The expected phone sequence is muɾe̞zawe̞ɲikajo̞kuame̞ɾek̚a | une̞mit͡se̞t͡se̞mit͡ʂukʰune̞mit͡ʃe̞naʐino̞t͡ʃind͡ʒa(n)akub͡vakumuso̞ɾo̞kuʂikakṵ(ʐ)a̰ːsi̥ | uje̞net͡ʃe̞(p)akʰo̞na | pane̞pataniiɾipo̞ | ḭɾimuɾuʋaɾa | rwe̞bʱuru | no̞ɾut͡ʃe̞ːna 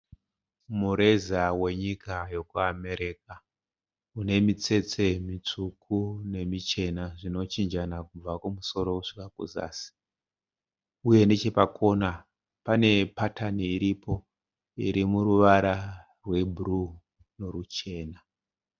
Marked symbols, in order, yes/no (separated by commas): yes, no, yes